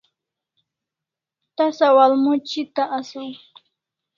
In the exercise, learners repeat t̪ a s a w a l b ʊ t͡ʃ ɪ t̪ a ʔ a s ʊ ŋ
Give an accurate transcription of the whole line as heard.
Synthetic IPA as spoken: t̪ a s a w a l m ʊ t͡ʃ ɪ t̪ a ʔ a s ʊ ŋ